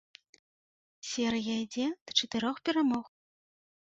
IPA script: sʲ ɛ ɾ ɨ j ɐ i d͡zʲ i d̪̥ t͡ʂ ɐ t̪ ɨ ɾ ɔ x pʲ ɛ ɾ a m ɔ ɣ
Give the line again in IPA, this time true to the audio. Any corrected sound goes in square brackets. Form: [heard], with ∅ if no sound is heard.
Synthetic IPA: sʲ ɛ ɾ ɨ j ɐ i d͡zʲ [ɛ] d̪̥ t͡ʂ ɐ t̪ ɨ ɾ ɔ x pʲ ɛ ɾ a m ɔ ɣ

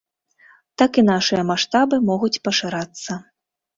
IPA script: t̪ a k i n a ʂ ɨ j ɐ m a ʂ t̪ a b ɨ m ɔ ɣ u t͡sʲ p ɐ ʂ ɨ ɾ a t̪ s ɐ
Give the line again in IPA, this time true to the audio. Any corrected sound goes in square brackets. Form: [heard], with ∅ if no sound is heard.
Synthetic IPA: t̪ a k i n a ʂ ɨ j ɐ m a ʂ t̪ a b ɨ m ɔ ɣ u t͡sʲ p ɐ ʂ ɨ ɾ a t̪ [sː] ɐ

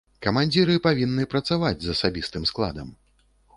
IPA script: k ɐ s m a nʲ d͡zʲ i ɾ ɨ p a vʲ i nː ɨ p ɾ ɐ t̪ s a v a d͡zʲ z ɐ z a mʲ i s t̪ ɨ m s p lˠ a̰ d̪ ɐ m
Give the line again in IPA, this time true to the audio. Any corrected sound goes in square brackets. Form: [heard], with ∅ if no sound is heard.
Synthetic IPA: k ɐ [∅] m a nʲ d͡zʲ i ɾ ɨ p a vʲ i nː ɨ p ɾ ɐ t̪ s a v a d͡zʲ z ɐ [s] a [bʲ] i s t̪ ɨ m s [k] lˠ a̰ d̪ ɐ m

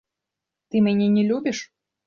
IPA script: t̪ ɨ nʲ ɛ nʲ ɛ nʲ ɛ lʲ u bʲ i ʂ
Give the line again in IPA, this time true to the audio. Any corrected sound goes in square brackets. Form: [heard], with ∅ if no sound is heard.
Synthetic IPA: t̪ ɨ [mʲ] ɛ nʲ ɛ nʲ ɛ lʲ u bʲ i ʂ

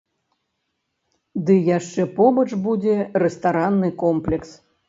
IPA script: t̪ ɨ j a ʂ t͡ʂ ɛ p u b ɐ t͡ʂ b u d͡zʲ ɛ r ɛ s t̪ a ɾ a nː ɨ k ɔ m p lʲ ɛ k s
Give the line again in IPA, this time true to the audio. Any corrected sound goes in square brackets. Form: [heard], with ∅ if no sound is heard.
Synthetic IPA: [d̪] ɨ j a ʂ t͡ʂ ɛ p [ɔ] b ɐ t͡ʂ b u d͡zʲ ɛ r ɛ s t̪ a ɾ a nː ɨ k ɔ m p lʲ ɛ k s

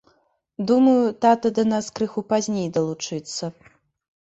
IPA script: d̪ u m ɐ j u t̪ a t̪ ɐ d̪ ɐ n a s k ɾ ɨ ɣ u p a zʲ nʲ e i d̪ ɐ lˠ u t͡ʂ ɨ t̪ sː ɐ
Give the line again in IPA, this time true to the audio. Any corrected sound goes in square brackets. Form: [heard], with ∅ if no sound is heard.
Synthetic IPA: d̪ u m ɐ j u t̪ a t̪ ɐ d̪ ɐ n a s k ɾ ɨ [x] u p a zʲ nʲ e [j] d̪ ɐ lˠ u t͡ʂ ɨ t̪ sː ɐ

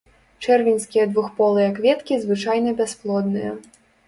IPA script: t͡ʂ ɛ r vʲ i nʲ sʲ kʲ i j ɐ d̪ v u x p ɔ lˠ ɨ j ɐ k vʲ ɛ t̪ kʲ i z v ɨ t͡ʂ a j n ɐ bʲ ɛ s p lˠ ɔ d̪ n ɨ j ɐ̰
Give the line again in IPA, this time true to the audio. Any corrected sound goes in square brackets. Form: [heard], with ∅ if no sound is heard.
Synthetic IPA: t͡ʂ ɛ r vʲ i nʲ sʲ kʲ i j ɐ d̪ v u x p ɔ lˠ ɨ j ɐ k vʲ ɛ t̪ kʲ i z v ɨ t͡ʂ a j n ɐ bʲ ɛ s p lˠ ɔ d̪ n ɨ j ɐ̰

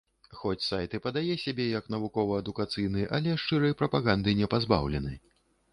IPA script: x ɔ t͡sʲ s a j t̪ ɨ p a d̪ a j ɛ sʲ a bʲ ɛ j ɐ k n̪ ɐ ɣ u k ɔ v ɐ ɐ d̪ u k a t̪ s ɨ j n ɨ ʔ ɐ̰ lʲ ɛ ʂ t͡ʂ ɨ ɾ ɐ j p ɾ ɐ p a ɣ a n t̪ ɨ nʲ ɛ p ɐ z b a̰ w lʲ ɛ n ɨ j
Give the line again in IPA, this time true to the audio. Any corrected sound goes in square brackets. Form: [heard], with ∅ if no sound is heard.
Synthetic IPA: x ɔ t͡sʲ s a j t̪ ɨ p [ɐ] d̪ a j ɛ sʲ a bʲ ɛ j ɐ k n̪ ɐ [v] u k ɔ v ɐ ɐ d̪ u k a t̪ s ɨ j n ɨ ʔ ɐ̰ lʲ ɛ ʂ t͡ʂ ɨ ɾ ɐ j p ɾ ɐ p a ɣ a n [d̪] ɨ nʲ ɛ p [a] z b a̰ w lʲ ɛ n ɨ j

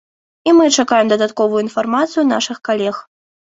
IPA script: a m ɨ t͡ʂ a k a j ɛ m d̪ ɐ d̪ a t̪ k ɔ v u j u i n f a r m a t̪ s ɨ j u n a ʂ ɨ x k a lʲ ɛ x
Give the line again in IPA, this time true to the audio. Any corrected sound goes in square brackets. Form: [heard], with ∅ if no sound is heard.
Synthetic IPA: [i] m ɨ t͡ʂ a k a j ɛ m d̪ ɐ d̪ a t̪ k ɔ v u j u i n f a r m a t̪ s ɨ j u n a ʂ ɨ x k a lʲ ɛ x

